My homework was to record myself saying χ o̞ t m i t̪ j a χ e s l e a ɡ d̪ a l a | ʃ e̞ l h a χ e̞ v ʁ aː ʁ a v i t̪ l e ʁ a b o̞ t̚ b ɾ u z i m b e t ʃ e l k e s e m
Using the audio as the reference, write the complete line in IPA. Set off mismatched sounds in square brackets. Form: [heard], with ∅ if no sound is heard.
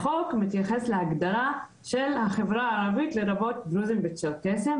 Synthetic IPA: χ o̞ [k] m i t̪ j a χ e s l e a ɡ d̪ a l a | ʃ e̞ l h a χ e̞ v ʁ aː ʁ a v i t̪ l e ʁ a b o̞ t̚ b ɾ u z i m b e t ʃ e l k e s e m